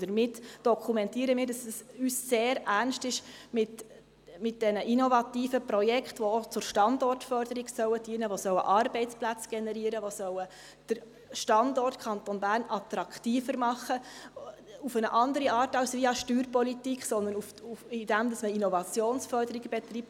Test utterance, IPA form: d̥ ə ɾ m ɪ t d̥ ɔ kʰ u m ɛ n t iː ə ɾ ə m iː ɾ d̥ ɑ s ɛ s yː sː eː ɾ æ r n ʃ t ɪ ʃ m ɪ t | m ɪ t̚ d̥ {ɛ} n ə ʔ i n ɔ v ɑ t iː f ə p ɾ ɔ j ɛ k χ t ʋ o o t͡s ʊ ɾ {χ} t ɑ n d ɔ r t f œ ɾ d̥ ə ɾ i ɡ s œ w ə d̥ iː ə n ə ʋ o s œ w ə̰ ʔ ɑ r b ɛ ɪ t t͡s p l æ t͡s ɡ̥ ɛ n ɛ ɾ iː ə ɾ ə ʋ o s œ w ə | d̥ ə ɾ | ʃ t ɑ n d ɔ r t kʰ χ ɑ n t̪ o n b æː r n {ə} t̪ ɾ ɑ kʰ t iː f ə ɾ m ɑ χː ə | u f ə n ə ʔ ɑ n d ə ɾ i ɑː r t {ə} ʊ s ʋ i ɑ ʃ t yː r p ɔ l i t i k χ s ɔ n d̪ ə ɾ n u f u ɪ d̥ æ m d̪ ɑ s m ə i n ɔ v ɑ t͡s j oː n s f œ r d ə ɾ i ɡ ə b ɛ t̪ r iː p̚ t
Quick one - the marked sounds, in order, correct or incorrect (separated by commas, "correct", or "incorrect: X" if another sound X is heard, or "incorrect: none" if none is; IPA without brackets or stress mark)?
correct, incorrect: ʃ, incorrect: ɑ, incorrect: ɑ